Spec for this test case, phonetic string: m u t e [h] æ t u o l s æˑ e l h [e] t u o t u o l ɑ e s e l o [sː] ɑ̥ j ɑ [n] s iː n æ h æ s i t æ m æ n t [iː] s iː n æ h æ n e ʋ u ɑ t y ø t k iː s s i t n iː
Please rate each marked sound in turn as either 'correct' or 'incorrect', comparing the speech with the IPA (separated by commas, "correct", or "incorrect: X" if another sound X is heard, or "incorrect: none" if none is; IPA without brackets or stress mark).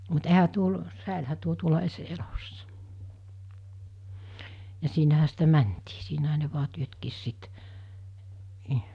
correct, incorrect: æ, correct, incorrect: none, correct